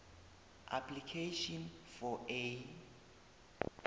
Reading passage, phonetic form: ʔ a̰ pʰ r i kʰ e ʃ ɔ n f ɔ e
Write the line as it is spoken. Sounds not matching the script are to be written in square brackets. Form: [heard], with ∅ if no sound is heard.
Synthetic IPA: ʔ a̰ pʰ [l] i kʰ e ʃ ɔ n f ɔ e